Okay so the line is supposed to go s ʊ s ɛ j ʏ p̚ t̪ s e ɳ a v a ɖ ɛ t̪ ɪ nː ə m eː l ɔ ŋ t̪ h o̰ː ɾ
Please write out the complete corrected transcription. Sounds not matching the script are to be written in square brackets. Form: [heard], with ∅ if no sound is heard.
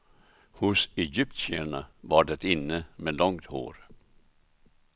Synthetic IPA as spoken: [h] ʊ s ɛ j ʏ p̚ t̪ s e ɳ a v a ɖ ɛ t̪ ɪ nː ə m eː l ɔ ŋ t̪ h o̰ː ɾ